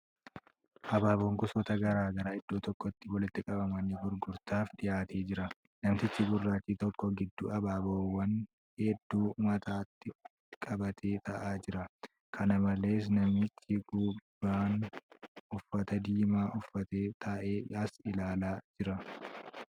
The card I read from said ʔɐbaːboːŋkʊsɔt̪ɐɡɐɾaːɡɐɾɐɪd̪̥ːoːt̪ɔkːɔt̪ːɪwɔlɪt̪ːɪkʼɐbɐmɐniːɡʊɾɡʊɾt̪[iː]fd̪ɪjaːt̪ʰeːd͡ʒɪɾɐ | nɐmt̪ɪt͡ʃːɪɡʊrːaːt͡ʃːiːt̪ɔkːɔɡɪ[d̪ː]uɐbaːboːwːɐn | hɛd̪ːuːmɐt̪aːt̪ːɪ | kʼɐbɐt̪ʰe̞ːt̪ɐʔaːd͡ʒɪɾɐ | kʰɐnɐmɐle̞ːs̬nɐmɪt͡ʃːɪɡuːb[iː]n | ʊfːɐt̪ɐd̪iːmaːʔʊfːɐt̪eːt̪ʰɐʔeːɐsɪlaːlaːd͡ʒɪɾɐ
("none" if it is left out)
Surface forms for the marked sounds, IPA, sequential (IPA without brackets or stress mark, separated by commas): aː, d̪ː, aː